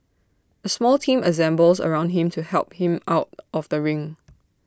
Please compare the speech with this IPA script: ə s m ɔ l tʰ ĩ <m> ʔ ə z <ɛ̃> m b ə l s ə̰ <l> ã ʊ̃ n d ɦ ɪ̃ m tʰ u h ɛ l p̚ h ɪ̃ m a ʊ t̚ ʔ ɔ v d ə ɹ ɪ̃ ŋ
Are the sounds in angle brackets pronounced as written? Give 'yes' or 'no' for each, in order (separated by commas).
yes, yes, no